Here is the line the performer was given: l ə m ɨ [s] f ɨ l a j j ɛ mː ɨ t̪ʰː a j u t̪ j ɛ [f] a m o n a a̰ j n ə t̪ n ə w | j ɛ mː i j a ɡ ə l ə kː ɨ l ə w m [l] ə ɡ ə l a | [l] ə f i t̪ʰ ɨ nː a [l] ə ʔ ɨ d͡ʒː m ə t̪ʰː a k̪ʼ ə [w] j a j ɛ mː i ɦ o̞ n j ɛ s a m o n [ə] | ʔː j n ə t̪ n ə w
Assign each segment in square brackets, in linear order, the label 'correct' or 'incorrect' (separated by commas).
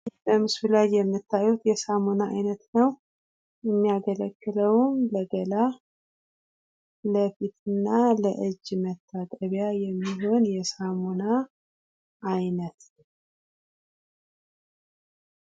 correct, incorrect, correct, correct, correct, incorrect, incorrect